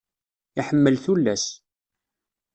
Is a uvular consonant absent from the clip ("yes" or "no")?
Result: yes